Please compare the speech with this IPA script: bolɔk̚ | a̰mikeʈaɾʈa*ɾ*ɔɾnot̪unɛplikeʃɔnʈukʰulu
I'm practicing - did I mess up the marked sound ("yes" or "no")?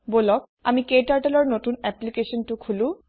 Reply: yes